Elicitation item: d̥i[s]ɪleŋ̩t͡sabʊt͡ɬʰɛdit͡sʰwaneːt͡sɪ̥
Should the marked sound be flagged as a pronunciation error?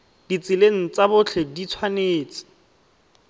yes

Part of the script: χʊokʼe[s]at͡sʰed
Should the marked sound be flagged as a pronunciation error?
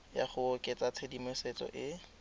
yes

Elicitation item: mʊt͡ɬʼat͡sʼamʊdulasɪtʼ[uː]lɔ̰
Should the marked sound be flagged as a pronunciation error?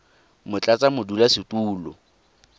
no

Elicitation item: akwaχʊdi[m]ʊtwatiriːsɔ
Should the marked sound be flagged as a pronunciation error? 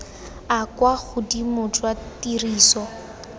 no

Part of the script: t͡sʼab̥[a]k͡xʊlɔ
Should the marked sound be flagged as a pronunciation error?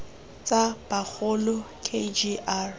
no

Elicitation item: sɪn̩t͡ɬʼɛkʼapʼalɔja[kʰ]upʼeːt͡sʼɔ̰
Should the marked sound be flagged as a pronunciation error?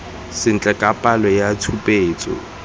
yes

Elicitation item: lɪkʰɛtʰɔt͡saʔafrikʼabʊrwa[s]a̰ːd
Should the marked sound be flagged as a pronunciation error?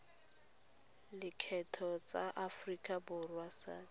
no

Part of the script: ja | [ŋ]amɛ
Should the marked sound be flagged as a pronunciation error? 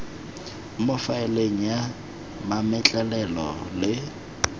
yes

